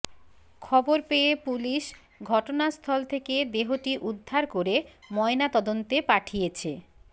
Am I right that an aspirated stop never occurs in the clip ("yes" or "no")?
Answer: no